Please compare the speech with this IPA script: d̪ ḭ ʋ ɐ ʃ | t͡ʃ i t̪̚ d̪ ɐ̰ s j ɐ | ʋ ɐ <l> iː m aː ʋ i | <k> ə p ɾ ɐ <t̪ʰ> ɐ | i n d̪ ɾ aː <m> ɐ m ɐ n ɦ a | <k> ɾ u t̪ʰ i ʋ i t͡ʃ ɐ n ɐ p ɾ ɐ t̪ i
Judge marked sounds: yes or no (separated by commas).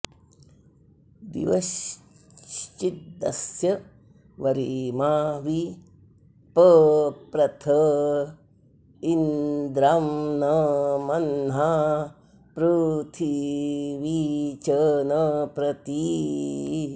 no, no, yes, no, no